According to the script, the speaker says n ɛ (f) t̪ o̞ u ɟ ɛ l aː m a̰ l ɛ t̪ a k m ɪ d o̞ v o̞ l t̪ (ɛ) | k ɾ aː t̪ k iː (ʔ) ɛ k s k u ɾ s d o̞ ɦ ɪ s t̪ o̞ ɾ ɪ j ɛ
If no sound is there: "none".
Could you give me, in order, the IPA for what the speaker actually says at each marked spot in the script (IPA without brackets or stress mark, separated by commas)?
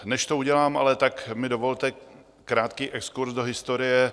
ʃ, ɛ, ʔ